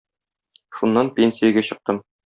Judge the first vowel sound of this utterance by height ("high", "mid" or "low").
high